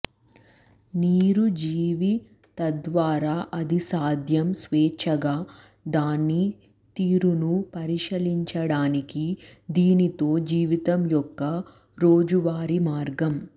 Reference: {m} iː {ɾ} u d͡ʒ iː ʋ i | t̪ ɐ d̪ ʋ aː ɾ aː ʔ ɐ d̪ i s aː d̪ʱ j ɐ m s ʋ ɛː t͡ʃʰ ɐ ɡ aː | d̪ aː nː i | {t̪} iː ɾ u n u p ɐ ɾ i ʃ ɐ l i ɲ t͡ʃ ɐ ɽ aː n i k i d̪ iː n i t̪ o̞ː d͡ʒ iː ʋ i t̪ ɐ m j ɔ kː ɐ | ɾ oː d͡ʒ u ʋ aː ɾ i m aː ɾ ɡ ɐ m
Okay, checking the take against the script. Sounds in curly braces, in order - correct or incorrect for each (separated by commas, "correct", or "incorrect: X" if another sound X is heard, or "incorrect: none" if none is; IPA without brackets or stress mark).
incorrect: n, correct, correct